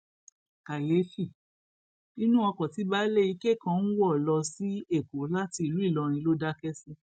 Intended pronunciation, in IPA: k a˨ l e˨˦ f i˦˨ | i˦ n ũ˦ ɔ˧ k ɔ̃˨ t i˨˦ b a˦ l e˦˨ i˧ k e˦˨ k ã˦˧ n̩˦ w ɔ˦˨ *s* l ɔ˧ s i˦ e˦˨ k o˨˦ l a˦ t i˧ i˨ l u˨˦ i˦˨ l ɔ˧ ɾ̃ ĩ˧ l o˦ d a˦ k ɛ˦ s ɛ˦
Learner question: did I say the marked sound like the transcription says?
no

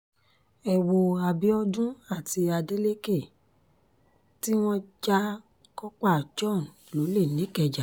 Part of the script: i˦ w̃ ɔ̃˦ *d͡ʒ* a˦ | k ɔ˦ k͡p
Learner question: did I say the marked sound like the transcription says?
yes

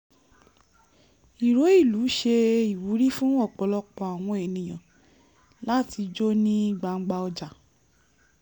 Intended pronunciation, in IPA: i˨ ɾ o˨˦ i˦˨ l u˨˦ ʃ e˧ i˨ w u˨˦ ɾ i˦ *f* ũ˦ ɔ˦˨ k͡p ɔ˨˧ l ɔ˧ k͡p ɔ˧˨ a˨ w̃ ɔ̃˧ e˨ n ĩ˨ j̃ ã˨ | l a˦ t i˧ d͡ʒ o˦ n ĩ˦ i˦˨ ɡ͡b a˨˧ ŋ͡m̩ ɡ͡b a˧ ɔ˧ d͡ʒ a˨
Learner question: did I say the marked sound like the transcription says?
yes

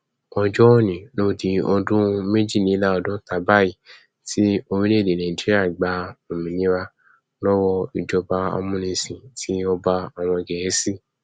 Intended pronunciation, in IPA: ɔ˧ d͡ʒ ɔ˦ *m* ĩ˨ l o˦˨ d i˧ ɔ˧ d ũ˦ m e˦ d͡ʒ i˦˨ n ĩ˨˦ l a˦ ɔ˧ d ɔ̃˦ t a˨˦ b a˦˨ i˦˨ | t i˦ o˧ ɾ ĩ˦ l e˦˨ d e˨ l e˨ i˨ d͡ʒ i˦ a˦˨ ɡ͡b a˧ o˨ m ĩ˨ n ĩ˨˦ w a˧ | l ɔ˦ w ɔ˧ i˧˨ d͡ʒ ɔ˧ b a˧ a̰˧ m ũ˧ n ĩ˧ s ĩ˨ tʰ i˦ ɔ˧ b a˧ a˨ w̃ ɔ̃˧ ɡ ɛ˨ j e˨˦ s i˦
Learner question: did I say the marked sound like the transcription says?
no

